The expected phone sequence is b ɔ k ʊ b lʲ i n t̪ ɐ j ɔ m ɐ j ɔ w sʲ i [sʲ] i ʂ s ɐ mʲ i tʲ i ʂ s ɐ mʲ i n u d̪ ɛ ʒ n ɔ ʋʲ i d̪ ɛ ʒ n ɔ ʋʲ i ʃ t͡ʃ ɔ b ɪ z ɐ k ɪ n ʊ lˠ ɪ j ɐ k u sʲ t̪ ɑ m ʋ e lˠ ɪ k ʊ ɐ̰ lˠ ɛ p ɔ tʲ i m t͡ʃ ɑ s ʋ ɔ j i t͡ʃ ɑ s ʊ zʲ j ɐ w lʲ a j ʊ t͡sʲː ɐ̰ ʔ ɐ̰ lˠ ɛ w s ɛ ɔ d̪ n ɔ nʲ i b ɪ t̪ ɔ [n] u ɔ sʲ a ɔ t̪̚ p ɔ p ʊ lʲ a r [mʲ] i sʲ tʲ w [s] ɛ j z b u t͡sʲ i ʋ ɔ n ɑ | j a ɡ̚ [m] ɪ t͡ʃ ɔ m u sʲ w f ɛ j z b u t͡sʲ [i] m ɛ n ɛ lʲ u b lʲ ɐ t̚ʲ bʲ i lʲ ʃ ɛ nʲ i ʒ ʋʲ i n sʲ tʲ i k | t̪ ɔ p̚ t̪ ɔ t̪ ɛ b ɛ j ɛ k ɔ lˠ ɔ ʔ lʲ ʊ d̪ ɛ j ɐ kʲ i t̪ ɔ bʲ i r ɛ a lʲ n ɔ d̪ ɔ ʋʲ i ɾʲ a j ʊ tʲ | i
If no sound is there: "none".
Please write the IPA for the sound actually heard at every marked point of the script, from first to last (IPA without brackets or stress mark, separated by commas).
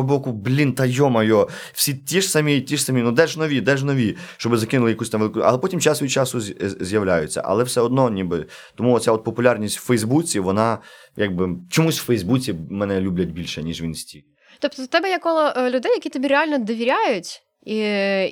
tʲ, m, nʲ, f, b, i